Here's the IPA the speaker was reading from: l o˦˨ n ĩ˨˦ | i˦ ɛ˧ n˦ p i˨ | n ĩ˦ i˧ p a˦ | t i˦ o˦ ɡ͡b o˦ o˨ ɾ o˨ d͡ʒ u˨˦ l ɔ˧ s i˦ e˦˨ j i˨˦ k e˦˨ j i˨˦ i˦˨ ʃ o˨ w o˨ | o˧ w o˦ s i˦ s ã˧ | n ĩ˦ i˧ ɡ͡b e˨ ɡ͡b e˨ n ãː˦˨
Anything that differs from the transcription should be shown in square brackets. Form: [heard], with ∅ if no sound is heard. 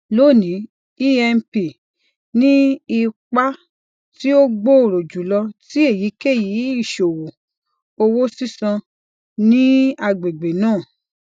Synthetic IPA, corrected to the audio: l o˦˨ n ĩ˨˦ | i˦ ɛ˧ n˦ p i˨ | n ĩ˦ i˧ [k͡p] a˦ | t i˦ o˦ ɡ͡b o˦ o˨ ɾ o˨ d͡ʒ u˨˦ l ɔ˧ [t] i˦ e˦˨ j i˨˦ k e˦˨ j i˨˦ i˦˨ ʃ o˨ w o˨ | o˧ w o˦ s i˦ s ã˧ | n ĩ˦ [a˧] ɡ͡b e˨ ɡ͡b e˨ n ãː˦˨